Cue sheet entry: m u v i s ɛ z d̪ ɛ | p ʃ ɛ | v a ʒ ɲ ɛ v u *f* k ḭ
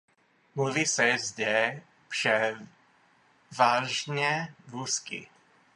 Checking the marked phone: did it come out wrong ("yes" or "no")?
yes